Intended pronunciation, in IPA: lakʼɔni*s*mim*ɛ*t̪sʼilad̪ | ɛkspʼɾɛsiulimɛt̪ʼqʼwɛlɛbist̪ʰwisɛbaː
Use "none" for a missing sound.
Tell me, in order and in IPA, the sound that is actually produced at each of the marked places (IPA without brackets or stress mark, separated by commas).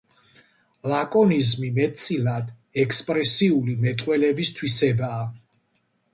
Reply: z, ɛ